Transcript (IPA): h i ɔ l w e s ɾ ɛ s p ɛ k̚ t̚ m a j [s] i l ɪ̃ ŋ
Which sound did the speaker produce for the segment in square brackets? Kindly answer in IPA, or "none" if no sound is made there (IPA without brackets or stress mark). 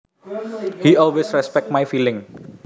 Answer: f